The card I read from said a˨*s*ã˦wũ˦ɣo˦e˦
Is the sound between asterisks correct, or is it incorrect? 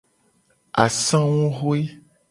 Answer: correct